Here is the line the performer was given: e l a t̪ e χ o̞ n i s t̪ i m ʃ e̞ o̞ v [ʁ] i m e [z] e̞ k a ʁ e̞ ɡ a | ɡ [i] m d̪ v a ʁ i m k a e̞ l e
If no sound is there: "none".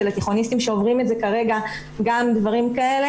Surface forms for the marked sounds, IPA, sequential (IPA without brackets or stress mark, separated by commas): ʁ, z, a